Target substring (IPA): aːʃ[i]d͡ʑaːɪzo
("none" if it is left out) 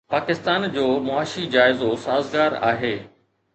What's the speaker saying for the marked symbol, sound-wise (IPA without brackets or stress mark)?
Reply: i